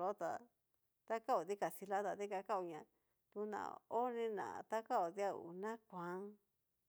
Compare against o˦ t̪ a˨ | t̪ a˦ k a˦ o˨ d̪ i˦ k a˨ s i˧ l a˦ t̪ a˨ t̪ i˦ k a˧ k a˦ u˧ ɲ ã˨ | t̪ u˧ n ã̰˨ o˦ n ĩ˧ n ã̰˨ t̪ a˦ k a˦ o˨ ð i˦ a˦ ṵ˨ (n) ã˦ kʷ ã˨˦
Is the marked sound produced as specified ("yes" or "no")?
yes